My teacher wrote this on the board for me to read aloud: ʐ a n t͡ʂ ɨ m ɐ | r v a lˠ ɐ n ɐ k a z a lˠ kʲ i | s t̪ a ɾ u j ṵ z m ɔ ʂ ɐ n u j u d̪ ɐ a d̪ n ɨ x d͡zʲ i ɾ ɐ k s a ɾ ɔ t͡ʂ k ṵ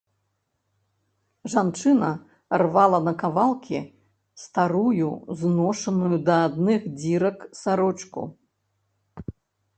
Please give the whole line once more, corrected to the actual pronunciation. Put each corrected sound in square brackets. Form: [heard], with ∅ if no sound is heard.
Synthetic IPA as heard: ʐ a n t͡ʂ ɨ [n] ɐ | r v a lˠ ɐ n ɐ k a [v] a lˠ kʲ i | s t̪ a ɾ u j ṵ z [n] ɔ ʂ ɐ n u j u d̪ ɐ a d̪ n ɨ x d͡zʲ i ɾ ɐ k s a ɾ ɔ t͡ʂ k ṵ